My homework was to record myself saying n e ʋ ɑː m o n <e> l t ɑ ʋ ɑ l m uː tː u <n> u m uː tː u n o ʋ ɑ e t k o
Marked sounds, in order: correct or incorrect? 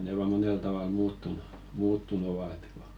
correct, correct

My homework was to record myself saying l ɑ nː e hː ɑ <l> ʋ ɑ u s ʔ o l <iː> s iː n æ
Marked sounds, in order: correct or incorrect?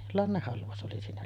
correct, incorrect

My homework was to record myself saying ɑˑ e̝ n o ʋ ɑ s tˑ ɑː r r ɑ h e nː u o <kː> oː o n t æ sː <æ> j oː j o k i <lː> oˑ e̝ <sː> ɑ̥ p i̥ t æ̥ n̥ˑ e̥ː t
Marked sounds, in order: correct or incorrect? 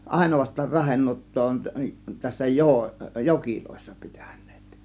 incorrect, correct, incorrect, correct

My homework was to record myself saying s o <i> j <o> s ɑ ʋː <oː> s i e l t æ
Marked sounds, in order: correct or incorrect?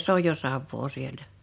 incorrect, correct, correct

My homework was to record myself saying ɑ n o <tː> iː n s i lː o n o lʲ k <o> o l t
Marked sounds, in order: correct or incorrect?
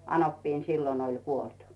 incorrect, incorrect

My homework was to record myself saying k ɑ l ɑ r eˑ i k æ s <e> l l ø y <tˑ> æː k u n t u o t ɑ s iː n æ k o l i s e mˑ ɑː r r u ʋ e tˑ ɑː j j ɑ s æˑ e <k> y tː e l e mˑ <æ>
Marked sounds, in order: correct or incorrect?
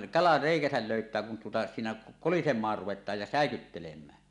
incorrect, correct, correct, incorrect

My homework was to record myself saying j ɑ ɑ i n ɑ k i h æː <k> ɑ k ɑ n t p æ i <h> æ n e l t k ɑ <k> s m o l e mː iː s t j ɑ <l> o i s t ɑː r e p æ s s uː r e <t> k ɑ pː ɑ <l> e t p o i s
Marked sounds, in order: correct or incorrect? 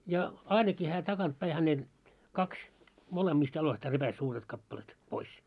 incorrect, correct, correct, correct, correct, correct

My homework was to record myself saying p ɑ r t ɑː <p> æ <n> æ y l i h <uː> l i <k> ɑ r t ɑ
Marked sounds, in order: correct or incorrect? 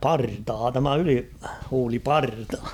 incorrect, incorrect, correct, incorrect

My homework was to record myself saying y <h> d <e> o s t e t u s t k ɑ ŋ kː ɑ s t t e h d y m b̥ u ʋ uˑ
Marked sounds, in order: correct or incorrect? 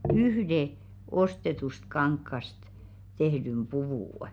correct, correct

